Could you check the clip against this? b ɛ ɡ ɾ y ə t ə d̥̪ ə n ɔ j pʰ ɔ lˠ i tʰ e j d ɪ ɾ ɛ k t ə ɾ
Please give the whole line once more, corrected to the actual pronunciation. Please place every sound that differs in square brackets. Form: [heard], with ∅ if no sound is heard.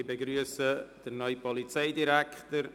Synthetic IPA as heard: b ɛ ɡ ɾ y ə [s] ə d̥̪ ə n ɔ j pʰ ɔ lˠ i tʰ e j d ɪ ɾ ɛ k t ə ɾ